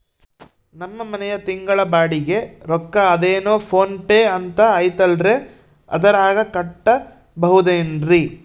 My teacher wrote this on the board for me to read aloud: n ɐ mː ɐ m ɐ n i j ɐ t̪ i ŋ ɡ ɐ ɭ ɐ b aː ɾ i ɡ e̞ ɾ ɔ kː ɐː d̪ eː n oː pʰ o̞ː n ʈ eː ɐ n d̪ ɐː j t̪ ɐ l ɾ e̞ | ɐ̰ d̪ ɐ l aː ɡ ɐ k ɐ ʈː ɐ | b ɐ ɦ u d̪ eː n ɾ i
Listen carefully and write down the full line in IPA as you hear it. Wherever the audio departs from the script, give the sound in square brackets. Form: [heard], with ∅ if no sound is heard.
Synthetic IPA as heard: n ɐ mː ɐ m ɐ n [ɛ] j ɐ t̪ i ŋ ɡ ɐ ɭ ɐ b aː [ɽ] i ɡ e̞ ɾ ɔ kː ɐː d̪ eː n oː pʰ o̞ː n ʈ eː ɐ n [t̪] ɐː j t̪ ɐ l ɾ e̞ | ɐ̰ d̪ ɐ [ɾ] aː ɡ ɐ k ɐ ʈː ɐ | b ɐ ɦ u d̪ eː n ɾ i